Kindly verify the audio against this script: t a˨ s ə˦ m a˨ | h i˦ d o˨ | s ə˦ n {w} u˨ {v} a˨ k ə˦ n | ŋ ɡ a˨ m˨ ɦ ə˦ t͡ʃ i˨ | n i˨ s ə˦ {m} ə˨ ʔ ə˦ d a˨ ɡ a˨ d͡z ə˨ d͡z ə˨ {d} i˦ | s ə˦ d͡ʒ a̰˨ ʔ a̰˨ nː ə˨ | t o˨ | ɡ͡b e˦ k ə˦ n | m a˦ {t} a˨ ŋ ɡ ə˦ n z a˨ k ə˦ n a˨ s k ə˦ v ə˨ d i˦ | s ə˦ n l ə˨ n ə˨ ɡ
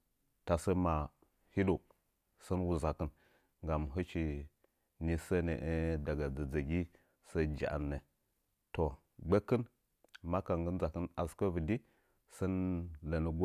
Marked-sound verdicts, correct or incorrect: correct, incorrect: z, incorrect: n, incorrect: ɡ, incorrect: k

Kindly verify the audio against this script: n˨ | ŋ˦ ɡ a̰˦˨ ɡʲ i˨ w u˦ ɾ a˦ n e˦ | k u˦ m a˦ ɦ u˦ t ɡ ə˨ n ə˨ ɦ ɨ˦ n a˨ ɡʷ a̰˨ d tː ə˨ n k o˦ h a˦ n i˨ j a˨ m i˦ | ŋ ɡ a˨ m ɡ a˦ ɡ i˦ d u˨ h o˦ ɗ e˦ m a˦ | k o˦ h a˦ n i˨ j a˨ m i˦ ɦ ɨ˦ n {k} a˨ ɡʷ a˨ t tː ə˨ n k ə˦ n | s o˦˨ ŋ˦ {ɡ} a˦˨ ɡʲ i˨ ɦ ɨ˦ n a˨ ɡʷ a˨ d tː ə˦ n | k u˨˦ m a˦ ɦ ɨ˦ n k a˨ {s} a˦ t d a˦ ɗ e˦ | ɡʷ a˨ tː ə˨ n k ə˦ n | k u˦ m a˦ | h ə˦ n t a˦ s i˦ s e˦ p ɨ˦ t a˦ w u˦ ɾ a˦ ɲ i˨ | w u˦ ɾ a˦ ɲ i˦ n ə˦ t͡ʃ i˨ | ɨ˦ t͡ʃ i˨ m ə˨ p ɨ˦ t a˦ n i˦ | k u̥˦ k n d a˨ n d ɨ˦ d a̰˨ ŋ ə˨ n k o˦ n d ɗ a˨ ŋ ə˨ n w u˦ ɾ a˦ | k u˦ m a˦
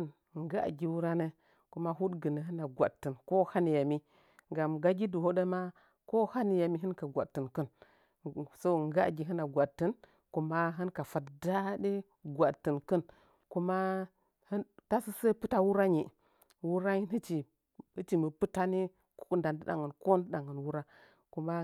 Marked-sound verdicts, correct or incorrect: correct, correct, incorrect: f

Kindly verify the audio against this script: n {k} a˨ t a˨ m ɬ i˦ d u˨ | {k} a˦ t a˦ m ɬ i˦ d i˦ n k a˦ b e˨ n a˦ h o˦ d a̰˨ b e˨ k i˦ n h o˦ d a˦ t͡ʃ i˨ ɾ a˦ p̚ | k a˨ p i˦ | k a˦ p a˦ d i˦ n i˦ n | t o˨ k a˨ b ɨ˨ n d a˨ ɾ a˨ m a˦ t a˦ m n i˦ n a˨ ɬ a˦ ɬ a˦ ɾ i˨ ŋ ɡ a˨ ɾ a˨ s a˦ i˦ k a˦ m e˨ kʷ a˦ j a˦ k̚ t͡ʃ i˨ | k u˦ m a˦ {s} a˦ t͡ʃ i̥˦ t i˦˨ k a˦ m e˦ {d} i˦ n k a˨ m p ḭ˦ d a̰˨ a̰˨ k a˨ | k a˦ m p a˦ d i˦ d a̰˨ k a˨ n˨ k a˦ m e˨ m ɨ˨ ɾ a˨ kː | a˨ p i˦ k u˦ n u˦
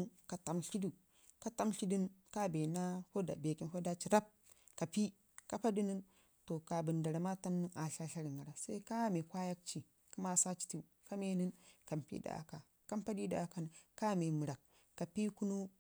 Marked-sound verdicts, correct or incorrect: correct, correct, correct, incorrect: n

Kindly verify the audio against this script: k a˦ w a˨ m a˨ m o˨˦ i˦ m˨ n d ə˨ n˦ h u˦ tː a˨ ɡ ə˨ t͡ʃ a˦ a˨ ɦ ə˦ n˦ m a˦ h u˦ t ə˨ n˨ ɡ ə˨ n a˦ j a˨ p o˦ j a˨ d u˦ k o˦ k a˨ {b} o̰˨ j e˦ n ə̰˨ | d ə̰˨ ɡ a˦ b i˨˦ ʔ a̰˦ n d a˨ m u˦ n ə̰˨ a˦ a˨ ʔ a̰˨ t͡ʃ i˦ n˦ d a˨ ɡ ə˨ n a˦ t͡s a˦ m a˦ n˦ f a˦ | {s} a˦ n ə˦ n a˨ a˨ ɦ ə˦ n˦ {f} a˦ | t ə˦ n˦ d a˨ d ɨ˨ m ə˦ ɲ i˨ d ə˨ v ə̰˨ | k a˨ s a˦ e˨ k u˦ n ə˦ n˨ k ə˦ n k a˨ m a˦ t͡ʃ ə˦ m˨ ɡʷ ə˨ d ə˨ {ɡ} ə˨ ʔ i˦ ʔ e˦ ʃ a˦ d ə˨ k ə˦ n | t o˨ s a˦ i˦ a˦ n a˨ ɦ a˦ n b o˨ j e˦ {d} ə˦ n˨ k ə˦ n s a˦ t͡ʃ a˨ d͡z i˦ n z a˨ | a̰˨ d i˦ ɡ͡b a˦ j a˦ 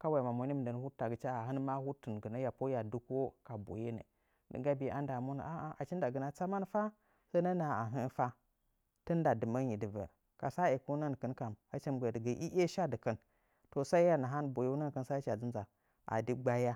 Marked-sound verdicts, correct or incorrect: correct, correct, correct, correct, incorrect: n

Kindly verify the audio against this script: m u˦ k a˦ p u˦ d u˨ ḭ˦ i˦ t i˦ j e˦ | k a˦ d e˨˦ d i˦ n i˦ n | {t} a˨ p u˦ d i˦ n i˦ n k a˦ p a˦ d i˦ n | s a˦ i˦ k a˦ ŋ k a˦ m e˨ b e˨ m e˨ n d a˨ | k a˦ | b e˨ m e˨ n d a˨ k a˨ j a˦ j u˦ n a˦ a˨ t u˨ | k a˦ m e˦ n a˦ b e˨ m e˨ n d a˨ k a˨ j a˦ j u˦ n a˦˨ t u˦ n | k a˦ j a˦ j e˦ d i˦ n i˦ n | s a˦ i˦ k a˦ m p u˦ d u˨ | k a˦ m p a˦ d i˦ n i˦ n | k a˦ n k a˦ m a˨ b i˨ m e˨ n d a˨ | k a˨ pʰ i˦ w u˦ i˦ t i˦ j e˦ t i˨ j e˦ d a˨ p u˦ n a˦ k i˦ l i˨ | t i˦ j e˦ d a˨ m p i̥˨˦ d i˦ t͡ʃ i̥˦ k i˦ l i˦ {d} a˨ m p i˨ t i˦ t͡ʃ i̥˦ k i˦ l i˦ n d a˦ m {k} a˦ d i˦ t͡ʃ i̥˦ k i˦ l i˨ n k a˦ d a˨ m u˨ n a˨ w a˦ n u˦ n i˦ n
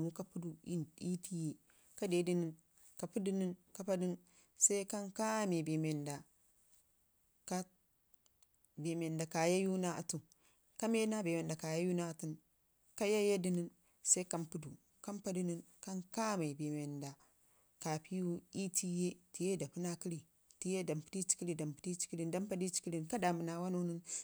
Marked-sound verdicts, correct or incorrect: incorrect: k, correct, incorrect: p

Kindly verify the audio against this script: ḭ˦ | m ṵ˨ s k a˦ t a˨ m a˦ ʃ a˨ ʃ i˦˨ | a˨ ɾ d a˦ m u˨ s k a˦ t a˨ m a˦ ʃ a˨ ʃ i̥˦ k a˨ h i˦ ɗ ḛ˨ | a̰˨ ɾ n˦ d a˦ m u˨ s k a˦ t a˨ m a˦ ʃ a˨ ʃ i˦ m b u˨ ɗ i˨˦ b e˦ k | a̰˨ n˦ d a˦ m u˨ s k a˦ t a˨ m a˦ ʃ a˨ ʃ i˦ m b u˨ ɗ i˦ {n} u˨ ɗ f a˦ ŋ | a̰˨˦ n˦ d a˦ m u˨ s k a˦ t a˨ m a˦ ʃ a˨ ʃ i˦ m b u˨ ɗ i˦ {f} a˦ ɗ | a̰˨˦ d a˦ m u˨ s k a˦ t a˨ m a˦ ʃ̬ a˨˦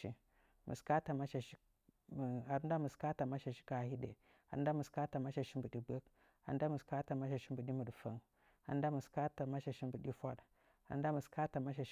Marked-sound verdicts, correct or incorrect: incorrect: m, correct

